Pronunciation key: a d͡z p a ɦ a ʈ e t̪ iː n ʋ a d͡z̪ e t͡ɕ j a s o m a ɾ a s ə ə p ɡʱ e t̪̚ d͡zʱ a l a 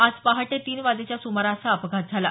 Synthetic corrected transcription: a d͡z p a ɦ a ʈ e t̪ iː n ʋ a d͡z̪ e t͡ɕ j a s u m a ɾ a s a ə p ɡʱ a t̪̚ d͡zʱ a l a